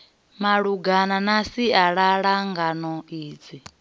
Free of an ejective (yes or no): yes